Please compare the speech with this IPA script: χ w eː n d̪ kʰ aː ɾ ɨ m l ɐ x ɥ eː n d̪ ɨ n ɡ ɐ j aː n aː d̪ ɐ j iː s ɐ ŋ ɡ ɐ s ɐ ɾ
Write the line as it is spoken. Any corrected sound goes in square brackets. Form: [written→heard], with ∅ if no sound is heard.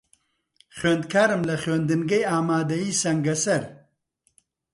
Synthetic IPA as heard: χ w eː n d̪ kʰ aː ɾ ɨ m l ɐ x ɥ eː n d̪ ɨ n ɡ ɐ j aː [n→m] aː d̪ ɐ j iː s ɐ ŋ ɡ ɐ s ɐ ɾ